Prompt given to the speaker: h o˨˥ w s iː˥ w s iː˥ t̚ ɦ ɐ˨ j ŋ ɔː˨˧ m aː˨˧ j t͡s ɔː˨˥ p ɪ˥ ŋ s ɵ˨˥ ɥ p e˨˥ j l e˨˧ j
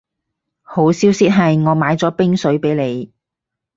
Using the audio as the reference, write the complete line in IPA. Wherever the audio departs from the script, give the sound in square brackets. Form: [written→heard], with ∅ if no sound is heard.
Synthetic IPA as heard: h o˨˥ w s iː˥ w s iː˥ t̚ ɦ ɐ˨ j ŋ ɔː˨˧ m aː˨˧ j t͡s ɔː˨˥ p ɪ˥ ŋ s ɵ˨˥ ɥ p e˨˥ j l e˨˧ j